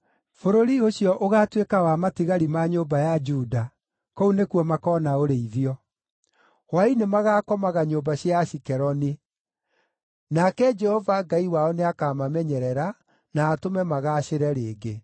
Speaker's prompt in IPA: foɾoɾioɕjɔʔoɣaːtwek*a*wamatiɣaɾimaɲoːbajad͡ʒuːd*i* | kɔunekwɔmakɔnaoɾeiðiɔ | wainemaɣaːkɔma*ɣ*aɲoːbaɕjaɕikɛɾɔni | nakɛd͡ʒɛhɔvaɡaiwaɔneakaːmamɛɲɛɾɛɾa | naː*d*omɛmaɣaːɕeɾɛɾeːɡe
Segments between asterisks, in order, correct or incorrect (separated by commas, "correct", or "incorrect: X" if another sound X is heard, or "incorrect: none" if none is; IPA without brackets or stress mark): correct, incorrect: a, correct, incorrect: t